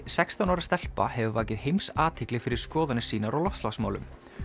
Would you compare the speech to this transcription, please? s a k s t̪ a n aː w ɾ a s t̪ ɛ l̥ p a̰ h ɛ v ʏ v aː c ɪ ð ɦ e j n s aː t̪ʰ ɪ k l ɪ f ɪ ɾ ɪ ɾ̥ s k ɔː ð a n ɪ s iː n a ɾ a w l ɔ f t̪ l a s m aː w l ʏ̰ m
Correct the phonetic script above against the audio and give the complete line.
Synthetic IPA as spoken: s ɛ k s t̪ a n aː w ɾ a s t̪ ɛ l̥ p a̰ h ɛ v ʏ v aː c ɪ ð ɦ e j m s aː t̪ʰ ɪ k l ɪ f ɪ ɾ ɪ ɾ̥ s k ɔː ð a n ɪ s iː n a ɾ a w l ɔ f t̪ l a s m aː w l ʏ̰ m